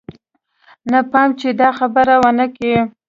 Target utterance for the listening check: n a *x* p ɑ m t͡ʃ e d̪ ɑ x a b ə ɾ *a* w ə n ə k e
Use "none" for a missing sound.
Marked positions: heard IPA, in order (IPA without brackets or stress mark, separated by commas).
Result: none, a